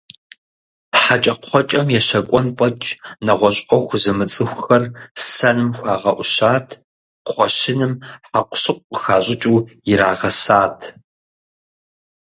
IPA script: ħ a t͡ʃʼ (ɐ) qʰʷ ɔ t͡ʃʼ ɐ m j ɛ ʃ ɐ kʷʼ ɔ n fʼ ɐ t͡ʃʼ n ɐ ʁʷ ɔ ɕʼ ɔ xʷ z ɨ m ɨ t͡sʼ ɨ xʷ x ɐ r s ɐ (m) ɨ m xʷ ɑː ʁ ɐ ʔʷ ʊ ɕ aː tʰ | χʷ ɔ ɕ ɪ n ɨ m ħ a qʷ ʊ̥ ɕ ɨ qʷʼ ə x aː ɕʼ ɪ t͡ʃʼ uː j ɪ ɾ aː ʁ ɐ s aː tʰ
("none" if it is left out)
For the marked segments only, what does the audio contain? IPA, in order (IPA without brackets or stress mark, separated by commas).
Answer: ɐ, n